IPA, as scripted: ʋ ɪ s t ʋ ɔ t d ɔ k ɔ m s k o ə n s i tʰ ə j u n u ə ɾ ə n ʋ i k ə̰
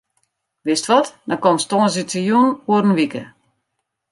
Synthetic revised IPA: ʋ ɪ s t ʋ ɔ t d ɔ k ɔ m s t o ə n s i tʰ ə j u n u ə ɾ ə n ʋ i k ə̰